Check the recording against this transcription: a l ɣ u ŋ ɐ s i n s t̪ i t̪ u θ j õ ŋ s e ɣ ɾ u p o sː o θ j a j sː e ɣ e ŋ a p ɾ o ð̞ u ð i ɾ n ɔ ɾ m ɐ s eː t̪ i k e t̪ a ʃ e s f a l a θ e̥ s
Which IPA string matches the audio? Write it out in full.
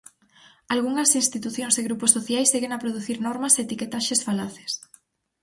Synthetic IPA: a l ɣ u ŋ ɐ s i n s t̪ i t̪ u θ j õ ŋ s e ɣ ɾ u p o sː o θ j a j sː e ɣ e ŋ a p ɾ o ð̞ u θ i ɾ n ɔ ɾ m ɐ s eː t̪ i k e t̪ a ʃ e s f a l a θ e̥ s